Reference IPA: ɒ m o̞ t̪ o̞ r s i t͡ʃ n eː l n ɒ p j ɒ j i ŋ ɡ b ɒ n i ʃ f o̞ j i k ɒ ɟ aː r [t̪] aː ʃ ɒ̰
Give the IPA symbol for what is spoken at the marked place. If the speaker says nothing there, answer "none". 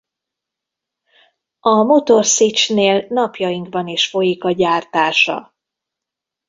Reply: t̪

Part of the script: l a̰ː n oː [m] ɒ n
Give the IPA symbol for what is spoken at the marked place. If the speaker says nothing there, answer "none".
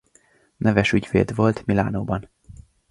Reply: b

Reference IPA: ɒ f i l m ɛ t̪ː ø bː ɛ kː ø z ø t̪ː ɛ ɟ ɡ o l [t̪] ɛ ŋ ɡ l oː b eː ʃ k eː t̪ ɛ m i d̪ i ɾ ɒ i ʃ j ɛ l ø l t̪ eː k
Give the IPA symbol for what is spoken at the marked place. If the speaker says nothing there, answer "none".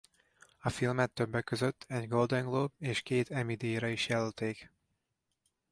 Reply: d̪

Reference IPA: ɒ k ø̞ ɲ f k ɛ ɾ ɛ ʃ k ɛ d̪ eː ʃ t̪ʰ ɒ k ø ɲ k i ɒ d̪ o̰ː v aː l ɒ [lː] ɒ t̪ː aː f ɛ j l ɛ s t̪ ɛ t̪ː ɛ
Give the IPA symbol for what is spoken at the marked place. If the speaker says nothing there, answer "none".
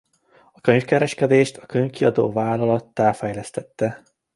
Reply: l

